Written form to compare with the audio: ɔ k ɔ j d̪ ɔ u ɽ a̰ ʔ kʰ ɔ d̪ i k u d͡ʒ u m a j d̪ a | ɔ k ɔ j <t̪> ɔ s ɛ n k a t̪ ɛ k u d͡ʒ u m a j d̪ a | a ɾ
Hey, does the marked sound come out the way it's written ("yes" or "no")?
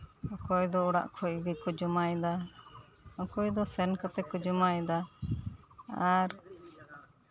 no